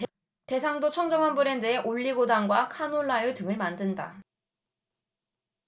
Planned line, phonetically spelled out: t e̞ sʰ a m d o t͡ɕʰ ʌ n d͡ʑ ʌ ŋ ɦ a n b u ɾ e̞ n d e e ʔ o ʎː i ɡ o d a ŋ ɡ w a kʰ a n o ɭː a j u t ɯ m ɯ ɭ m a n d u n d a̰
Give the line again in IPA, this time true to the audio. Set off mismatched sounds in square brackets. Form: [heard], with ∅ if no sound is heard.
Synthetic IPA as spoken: t e̞ sʰ a [ŋ] d o t͡ɕʰ ʌ [ŋ] d͡ʑ ʌ ŋ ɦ a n b u ɾ e̞ n d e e ʔ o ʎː i ɡ o d a ŋ ɡ w a kʰ a n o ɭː a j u t ɯ [ŋ] ɯ ɭ m a n d [ɯ] n d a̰